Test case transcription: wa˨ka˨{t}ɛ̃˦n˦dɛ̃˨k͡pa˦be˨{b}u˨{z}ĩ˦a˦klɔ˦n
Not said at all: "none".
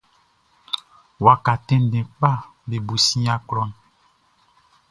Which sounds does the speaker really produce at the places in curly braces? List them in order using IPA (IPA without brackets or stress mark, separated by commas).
t, b, s